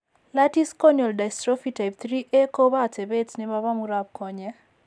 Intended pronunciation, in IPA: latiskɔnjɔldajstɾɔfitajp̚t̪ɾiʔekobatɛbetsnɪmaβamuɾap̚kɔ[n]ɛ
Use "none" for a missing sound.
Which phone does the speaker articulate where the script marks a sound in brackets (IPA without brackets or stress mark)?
ɲ